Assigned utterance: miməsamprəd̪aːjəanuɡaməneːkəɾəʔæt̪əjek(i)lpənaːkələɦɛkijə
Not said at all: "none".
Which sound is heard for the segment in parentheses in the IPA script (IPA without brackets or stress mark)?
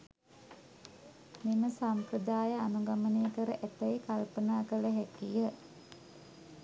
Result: a